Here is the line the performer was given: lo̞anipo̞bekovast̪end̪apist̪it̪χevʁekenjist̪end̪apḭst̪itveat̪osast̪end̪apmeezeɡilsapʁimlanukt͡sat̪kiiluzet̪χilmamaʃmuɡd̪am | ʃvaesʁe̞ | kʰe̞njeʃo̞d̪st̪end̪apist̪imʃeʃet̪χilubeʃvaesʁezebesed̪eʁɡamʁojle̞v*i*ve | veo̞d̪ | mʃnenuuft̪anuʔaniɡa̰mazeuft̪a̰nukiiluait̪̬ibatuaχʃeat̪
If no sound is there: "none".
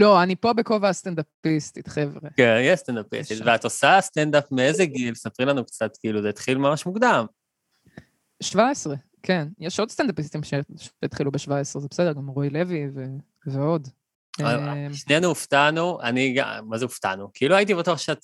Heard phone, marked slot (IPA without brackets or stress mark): i